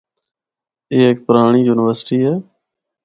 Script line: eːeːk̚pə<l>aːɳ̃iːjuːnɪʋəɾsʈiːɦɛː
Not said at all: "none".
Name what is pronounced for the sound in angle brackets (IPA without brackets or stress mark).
ɾ